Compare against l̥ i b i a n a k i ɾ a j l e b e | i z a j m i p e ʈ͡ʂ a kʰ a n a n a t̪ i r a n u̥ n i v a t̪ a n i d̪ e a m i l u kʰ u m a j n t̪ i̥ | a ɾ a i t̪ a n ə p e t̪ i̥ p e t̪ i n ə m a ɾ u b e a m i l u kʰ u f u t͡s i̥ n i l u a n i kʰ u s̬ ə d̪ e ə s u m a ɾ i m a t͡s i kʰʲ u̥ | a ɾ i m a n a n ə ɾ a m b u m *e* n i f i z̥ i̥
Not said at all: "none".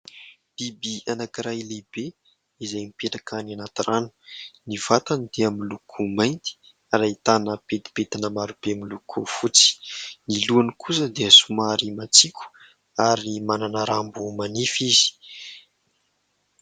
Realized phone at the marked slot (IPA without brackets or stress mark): a